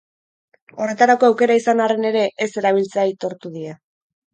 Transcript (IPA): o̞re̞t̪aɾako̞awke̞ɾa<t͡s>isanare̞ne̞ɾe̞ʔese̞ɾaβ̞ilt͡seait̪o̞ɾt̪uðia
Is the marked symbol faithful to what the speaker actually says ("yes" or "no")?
no